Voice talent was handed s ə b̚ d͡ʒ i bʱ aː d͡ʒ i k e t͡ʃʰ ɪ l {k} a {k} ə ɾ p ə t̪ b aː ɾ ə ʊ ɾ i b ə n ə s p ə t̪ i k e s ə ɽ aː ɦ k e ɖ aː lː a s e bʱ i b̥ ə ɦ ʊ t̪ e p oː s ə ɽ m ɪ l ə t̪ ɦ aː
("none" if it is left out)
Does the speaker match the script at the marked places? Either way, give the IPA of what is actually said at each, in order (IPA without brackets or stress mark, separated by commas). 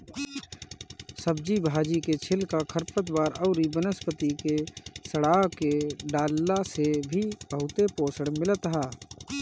k, kʰ